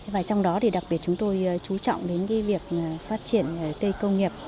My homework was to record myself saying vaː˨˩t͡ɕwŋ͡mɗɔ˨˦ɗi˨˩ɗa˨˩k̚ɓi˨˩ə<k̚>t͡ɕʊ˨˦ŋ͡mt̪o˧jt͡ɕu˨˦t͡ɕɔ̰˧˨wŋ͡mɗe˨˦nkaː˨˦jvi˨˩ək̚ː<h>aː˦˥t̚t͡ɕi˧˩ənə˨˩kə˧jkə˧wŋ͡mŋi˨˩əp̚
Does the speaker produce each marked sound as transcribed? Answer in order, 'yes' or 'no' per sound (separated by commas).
no, no